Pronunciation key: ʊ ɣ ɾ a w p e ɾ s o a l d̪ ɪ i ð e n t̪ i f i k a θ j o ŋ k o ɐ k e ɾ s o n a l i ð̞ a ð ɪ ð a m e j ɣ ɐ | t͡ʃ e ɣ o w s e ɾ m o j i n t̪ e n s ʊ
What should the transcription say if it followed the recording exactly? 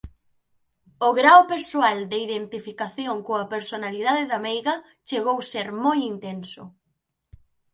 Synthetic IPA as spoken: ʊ ɣ ɾ a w p e ɾ s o a l d̪ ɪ i ð e n t̪ i f i k a θ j o ŋ k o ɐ p e ɾ s o n a l i ð̞ a ð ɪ ð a m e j ɣ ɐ | t͡ʃ e ɣ o w s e ɾ m o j i n t̪ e n s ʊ